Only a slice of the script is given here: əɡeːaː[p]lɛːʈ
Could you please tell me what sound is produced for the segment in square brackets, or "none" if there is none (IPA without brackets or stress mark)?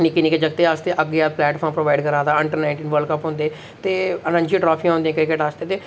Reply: p